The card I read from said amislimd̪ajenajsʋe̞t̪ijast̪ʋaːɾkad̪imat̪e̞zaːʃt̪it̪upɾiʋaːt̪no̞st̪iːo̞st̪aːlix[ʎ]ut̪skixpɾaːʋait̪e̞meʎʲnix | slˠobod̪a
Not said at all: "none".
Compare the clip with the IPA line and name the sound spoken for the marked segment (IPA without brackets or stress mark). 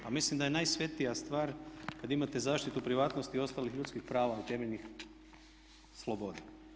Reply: ʎ